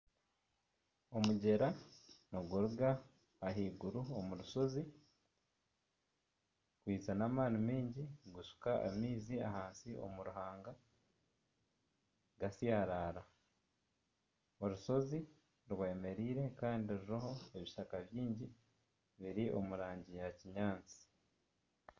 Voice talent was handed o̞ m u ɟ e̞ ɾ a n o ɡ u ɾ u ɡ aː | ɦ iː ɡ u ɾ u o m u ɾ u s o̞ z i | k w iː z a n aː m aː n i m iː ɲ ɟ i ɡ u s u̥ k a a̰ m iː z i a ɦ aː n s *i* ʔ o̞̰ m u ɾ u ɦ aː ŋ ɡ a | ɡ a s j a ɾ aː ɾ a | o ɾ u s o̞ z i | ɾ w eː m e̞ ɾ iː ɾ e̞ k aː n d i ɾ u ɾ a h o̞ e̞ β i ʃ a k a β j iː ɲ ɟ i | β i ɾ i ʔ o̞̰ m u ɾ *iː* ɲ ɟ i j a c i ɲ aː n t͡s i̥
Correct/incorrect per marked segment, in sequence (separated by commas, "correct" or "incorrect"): correct, incorrect